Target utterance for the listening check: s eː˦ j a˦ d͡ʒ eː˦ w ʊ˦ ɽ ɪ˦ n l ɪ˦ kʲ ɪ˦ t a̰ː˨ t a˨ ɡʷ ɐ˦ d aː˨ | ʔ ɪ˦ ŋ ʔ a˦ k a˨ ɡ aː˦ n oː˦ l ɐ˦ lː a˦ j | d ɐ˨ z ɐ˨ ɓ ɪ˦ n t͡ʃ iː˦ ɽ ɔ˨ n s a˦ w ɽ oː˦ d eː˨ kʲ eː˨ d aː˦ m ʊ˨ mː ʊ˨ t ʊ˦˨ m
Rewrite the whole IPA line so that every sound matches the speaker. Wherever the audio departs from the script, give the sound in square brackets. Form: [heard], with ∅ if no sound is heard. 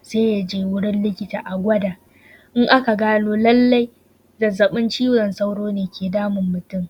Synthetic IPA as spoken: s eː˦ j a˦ d͡ʒ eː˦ w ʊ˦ ɽ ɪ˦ n l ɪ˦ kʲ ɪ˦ t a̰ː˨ [ʔ] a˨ ɡʷ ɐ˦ d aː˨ | ʔ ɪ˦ ŋ ʔ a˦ k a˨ ɡ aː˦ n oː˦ l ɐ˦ lː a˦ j | d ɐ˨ z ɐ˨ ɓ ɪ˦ n t͡ʃ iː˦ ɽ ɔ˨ n s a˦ w ɽ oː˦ [n] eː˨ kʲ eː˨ d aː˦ m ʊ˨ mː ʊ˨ t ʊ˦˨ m